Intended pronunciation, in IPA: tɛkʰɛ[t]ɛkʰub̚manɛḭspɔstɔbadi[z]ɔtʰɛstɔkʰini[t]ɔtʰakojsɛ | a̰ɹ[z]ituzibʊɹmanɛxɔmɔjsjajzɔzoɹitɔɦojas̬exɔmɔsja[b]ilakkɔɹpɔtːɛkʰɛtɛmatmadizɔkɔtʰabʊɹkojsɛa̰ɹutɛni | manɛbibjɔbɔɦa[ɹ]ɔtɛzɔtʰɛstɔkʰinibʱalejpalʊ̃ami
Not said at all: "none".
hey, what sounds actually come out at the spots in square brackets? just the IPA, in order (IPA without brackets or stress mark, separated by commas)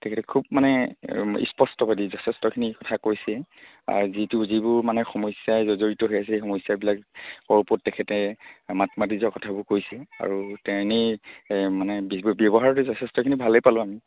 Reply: t, z, k, z, b, ɹ